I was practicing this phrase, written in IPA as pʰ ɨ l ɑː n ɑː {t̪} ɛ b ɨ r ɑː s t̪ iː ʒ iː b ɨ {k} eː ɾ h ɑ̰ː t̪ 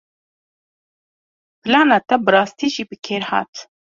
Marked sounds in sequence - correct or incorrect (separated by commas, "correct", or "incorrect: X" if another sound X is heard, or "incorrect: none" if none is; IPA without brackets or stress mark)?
correct, incorrect: kʰ